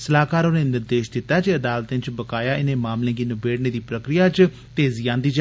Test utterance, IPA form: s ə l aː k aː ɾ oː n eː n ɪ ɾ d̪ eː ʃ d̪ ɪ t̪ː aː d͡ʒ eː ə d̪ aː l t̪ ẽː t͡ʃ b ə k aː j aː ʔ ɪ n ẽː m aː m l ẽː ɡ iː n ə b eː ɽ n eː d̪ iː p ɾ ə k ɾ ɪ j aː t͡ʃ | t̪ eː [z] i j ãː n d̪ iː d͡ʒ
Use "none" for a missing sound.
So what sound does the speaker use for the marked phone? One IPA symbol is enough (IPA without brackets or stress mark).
z